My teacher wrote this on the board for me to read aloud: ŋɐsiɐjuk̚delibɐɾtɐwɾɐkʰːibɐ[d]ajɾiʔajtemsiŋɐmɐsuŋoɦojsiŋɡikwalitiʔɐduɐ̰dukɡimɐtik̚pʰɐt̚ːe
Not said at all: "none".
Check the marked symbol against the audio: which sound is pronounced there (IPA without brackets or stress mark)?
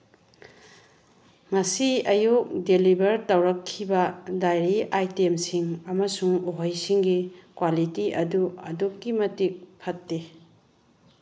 d